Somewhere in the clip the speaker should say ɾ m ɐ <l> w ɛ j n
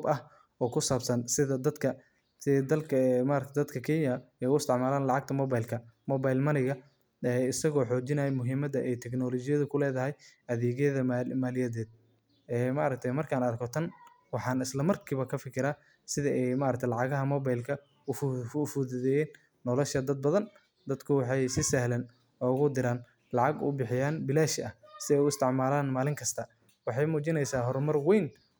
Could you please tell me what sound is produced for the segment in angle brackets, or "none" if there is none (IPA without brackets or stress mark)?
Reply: r